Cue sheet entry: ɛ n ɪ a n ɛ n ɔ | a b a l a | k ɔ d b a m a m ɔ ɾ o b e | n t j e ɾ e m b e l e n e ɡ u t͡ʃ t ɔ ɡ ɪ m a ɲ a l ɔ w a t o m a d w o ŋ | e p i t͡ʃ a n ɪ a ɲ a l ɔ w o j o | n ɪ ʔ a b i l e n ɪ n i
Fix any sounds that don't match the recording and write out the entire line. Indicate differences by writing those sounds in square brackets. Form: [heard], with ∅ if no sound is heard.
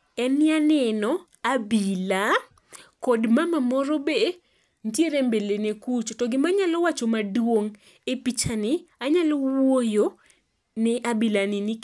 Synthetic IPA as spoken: ɛ n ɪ a n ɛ n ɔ | a b [i] l a | k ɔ d [m] a m a m ɔ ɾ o b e | n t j e ɾ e m b e l e n e [k] u t͡ʃ t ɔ ɡ ɪ m a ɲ a l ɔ w a [t͡ʃ] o m a d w o ŋ | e p i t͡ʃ a n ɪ a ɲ a l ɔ w o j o | n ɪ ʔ a b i l [a] n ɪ n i